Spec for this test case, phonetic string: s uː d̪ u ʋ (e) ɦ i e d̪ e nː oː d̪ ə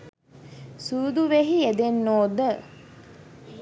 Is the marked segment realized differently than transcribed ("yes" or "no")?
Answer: no